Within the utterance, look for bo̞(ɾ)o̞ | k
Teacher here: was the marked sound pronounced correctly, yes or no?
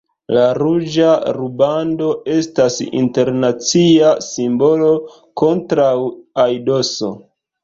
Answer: no